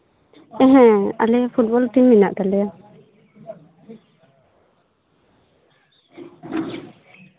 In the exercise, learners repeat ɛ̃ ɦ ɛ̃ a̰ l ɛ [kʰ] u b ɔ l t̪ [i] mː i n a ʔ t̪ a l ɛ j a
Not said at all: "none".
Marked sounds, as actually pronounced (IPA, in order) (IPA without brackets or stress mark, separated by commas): pʰ, i